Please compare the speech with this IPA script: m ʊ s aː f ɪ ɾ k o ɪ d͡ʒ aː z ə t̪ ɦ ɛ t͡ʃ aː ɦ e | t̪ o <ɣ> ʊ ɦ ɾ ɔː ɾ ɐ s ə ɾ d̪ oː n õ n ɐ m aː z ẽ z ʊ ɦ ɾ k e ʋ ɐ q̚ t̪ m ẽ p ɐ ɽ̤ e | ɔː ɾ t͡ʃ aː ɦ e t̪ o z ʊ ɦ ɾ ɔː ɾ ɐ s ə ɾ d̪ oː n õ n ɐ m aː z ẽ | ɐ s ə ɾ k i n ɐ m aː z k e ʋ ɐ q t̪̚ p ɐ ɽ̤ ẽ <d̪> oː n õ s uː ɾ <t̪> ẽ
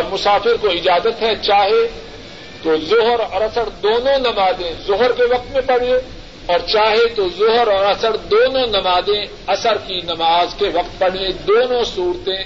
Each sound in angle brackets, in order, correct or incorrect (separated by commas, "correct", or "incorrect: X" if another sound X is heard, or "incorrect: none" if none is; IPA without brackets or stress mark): incorrect: z, correct, correct